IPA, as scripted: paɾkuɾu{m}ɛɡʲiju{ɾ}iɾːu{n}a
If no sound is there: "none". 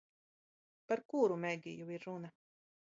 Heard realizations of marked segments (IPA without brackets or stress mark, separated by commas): m, none, n